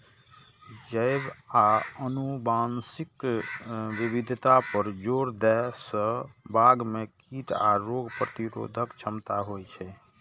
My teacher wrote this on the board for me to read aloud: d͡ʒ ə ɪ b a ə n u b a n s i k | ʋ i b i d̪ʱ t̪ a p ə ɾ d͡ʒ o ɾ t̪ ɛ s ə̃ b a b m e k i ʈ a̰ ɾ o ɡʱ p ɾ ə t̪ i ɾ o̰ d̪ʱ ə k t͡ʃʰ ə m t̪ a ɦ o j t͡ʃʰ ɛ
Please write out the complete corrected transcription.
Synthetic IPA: d͡ʒ ə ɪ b a ə n u b a n s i k | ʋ i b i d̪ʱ t̪ a p ə ɾ d͡ʒ o ɾ d̪ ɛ s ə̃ b a ɡ m e k i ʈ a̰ ɾ o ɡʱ p ɾ ə t̪ i ɾ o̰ d̪ʱ ə k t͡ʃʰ ə m t̪ a ɦ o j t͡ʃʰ ɛ

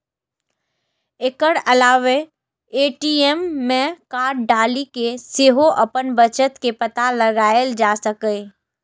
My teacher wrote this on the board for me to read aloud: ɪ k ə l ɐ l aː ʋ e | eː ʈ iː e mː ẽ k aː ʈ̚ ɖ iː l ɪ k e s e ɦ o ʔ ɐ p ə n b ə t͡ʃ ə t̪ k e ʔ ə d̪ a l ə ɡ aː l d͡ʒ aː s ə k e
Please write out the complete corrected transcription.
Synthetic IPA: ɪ k ə ɽ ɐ l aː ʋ e | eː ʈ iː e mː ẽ k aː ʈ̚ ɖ aː l i k e s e ɦ o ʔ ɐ p ə n b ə t͡ʃ ə t̪ k e p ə t̪ a l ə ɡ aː l d͡ʒ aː s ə k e

